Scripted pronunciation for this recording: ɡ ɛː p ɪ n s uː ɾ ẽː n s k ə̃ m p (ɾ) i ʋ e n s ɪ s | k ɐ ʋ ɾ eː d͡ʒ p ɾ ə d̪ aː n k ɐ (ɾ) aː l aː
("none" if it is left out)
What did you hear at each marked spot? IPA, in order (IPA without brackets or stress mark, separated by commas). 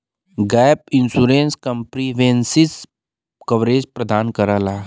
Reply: ɾ, ɾ